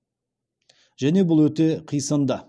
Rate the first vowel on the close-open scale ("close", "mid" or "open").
open